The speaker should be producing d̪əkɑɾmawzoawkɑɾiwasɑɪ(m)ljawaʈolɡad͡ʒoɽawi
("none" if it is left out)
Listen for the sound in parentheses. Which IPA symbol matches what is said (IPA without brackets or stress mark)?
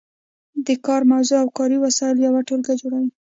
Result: none